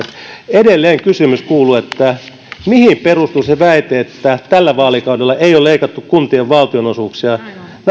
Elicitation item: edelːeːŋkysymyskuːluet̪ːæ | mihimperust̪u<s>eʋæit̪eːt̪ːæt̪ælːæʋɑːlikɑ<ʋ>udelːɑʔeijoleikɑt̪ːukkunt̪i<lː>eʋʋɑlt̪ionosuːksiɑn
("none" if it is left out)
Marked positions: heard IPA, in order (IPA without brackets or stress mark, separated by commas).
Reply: s, none, none